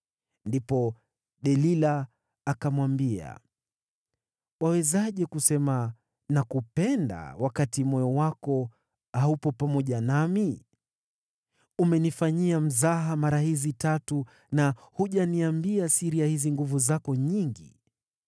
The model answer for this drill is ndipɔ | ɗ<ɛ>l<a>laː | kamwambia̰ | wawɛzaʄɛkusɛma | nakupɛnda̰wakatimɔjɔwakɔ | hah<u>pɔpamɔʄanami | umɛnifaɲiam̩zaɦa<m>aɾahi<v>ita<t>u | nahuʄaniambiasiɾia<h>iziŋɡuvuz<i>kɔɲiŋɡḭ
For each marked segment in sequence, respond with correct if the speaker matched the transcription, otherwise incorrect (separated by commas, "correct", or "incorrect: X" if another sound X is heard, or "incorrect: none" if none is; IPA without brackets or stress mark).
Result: correct, incorrect: i, correct, correct, incorrect: z, correct, correct, incorrect: a